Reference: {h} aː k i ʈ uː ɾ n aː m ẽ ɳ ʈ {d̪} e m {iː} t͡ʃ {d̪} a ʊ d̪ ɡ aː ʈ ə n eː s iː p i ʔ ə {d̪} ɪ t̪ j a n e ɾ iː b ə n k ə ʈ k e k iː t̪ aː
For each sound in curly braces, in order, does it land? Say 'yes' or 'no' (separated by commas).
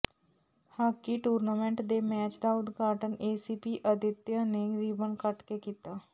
yes, yes, no, yes, yes